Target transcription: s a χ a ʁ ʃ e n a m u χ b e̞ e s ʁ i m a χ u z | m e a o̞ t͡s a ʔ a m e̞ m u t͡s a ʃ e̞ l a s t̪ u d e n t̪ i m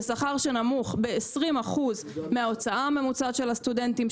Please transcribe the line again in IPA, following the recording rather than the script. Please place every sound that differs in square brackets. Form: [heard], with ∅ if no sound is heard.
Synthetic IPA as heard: s a χ a ʁ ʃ e n a m u χ b e̞ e s ʁ i m a χ u z | m e a o̞ t͡s a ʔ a m e̞ m u t͡s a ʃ e̞ l a s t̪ u d e n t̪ i m